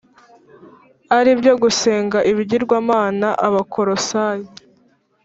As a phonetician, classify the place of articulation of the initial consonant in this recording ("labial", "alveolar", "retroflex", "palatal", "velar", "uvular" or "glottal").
alveolar